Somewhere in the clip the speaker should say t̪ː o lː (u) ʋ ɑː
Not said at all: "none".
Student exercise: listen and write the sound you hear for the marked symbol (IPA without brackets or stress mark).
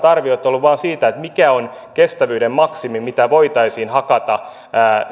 u